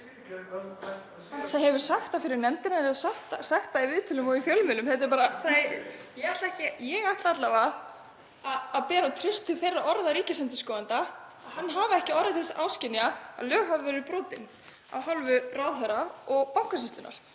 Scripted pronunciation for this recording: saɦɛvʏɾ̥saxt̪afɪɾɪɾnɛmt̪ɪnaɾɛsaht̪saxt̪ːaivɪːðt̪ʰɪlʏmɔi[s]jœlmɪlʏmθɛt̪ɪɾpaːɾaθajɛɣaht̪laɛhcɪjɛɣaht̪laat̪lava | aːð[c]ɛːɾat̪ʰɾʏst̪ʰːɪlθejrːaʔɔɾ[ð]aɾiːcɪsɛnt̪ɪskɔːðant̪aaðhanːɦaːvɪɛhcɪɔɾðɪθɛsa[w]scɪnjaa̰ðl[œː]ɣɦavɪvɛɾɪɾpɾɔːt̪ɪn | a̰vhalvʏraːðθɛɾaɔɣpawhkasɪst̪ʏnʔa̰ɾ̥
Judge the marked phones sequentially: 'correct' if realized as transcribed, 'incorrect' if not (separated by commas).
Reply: incorrect, incorrect, correct, correct, correct